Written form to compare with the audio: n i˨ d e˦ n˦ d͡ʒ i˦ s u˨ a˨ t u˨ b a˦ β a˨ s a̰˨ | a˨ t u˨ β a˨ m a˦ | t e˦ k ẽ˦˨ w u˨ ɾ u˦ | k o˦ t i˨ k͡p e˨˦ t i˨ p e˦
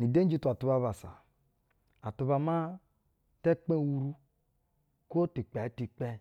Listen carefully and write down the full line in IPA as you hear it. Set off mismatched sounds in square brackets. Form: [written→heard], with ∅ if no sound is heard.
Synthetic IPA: n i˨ d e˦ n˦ d͡ʒ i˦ [s→t] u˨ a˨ t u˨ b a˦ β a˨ s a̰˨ | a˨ t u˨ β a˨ m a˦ | t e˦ [k→k͡p] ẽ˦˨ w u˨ ɾ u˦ | k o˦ t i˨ k͡p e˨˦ t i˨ [p→k͡p] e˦